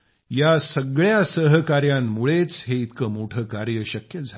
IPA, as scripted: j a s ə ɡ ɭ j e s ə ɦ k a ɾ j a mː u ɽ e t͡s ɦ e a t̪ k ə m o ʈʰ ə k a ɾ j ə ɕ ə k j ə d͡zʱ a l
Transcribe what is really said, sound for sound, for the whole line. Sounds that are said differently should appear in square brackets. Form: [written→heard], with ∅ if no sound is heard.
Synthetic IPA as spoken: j a s ə ɡ ɭ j [e→a] s ə ɦ k a ɾ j a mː u [ɽ→ɭ] e t͡s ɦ e [a→i] t̪ k ə m o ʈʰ ə k a ɾ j ə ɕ ə k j ə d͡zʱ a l